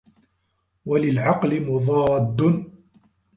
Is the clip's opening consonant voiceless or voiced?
voiced